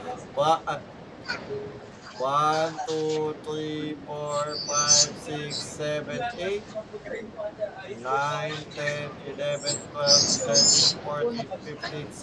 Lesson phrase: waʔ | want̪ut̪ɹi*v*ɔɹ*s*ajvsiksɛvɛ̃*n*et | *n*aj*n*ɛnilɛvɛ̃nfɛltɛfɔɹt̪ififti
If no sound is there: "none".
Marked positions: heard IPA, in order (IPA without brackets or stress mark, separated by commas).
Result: f, f, n, n, n